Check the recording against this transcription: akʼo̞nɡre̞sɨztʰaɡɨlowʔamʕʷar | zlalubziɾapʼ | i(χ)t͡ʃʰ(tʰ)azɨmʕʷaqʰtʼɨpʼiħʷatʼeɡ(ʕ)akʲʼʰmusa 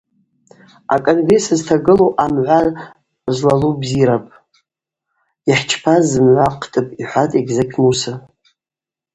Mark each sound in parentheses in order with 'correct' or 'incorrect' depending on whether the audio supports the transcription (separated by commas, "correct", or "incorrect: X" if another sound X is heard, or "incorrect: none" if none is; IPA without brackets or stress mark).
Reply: incorrect: ħ, incorrect: pʰ, incorrect: z